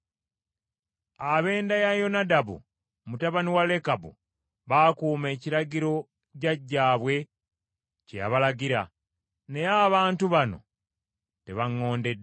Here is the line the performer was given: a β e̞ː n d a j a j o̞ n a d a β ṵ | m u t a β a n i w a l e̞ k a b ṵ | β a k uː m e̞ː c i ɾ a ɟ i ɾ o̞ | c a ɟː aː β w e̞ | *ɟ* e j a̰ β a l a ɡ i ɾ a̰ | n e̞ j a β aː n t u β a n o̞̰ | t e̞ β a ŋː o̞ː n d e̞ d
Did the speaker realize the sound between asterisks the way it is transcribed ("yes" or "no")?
no